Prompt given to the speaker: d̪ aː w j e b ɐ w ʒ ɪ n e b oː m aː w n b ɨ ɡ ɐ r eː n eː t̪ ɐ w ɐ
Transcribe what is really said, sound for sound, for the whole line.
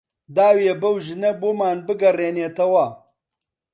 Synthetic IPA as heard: d̪ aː w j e b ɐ w ʒ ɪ n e b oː m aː n b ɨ ɡ ɐ r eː n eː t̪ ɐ w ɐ